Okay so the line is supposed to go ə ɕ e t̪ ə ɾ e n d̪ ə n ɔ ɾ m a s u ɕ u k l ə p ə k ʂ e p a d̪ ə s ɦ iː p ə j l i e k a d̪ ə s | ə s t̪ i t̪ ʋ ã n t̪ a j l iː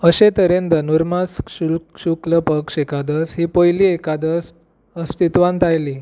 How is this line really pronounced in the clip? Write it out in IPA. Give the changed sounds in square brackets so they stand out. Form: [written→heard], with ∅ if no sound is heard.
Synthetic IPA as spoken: ə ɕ e t̪ ə ɾ e n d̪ ə n [ɔ→u] ɾ m a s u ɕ u k l ə p ə k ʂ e [p→k] a d̪ ə s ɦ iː p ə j l i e k a d̪ ə s | ə s t̪ i t̪ ʋ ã n t̪ a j l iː

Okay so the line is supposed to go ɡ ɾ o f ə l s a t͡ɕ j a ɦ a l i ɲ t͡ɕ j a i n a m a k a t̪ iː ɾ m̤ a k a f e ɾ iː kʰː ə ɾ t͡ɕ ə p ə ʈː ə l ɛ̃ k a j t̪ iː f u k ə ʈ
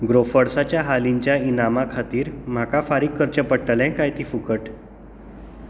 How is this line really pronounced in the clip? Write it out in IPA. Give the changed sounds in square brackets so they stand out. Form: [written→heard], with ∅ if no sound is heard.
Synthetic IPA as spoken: ɡ ɾ o f ə [l→ɽ] s a t͡ɕ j a ɦ a l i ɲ t͡ɕ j a i n a m a [k→kʰ] a t̪ iː ɾ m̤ a k a f [e→a] ɾ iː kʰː ə ɾ t͡ɕ ə p ə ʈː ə l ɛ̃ k a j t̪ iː f u k ə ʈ

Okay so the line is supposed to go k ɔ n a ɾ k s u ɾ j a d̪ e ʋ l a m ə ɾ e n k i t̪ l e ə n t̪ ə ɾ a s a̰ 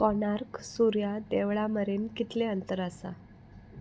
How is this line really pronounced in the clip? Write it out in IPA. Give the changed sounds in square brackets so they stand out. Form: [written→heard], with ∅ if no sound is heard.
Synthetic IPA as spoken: k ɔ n a ɾ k s u ɾ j a d̪ e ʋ [l→ɭ] a m ə ɾ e n k i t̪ l e ə n t̪ ə ɾ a s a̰

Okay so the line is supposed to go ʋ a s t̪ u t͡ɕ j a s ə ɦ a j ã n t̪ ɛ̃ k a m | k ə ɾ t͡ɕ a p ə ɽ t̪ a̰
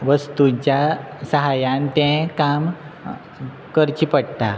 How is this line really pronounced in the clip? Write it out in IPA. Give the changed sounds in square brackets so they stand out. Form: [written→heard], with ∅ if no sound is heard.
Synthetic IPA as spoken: ʋ [a→ə] s t̪ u t͡ɕ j a s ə ɦ a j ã n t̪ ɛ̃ k a m | k ə ɾ t͡ɕ [a→i] p ə ɽ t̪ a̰

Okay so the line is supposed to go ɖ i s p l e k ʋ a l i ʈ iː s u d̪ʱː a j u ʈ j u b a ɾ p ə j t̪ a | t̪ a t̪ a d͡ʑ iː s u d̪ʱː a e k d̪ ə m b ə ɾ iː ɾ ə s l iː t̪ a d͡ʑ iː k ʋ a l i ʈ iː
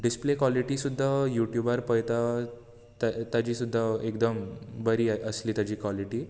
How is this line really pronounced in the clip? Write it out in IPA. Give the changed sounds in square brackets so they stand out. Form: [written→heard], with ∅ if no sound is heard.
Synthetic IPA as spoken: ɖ i s p l e k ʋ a l i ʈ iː s u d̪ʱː a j u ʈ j u b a ɾ p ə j t̪ a | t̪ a t̪ a d͡ʑ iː s u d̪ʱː a e k d̪ ə m b ə ɾ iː [ɾ→∅] ə s l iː t̪ a d͡ʑ iː k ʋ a l i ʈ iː

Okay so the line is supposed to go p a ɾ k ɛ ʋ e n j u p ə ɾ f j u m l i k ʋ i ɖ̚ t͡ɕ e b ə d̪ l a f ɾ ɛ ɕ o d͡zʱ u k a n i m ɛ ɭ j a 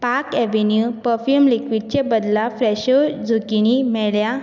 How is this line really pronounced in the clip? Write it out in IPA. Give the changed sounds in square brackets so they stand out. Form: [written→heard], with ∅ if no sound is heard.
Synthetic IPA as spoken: p a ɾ k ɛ ʋ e n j u p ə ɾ f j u m l i k ʋ i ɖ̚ t͡ɕ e b ə d̪ l a f ɾ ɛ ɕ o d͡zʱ u k [a→i] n i m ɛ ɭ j a

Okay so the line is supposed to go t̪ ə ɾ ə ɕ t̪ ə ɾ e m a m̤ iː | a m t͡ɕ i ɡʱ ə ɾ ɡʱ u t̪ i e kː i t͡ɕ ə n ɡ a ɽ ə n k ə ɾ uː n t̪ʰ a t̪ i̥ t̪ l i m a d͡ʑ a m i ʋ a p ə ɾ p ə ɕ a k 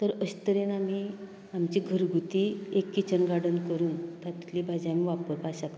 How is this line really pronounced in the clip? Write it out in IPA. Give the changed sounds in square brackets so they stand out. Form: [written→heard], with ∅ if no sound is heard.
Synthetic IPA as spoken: t̪ ə ɾ ə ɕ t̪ ə ɾ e [m→n] a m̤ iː | a m t͡ɕ i ɡʱ ə ɾ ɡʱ u t̪ i e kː i t͡ɕ ə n ɡ a ɽ ə n k ə ɾ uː n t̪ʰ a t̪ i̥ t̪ l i [m→b] a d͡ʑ a m i ʋ a p ə ɾ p [ə→a] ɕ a k

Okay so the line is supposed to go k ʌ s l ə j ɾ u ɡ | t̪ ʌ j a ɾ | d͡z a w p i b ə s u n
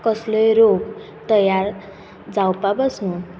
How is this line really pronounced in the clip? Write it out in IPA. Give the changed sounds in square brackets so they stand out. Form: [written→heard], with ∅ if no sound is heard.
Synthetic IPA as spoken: k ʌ s l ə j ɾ [u→o] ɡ | t̪ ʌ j a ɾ | d͡z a w p [i→a] b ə s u n

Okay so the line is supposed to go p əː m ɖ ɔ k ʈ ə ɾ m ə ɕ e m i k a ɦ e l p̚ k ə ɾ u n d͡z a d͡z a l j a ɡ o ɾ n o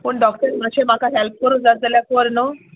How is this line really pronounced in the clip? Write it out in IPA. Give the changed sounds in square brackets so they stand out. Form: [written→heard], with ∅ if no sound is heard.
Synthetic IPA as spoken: p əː [m→ɳ] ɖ ɔ k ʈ ə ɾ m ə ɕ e m [i→a] k a ɦ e l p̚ k ə ɾ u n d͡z a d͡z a l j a [ɡ→k] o ɾ n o

